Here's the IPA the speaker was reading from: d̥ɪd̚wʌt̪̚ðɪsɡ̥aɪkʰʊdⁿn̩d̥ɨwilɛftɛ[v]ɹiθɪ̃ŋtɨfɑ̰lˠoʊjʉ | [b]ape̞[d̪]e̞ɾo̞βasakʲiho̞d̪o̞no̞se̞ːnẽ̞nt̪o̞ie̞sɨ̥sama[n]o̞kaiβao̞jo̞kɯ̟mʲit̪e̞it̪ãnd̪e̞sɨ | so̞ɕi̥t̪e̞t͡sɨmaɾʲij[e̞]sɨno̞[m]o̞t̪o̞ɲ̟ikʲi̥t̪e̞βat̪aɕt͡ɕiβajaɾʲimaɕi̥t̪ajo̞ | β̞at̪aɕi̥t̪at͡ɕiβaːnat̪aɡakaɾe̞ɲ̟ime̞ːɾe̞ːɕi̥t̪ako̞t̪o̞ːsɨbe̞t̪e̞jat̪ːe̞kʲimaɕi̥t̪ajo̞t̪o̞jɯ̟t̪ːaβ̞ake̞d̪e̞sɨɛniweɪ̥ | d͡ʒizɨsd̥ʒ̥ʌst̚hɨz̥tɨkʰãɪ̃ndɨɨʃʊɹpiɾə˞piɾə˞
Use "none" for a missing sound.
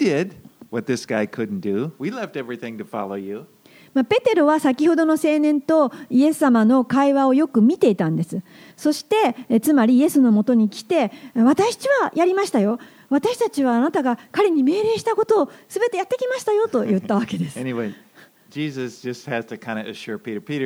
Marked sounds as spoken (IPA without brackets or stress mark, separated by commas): v, m, t̪, n, e̞, m